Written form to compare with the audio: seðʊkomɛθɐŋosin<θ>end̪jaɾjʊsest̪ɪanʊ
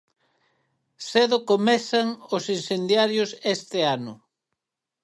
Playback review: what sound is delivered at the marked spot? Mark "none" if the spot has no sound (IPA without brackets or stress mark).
s